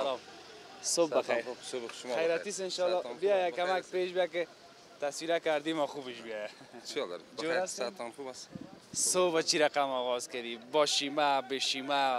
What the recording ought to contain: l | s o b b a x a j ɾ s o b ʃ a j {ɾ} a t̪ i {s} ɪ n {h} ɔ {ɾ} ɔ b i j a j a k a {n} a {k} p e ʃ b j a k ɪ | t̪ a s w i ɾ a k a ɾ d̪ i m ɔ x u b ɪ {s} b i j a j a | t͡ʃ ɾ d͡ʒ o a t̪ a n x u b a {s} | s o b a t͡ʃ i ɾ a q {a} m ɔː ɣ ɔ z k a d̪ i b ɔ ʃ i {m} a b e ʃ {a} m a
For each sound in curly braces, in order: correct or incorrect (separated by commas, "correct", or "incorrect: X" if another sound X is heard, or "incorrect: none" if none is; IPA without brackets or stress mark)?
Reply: correct, correct, incorrect: ʃ, incorrect: l, incorrect: m, correct, incorrect: ʃ, correct, correct, correct, incorrect: i